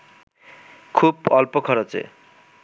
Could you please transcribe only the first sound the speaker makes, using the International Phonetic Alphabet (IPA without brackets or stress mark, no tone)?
kʰ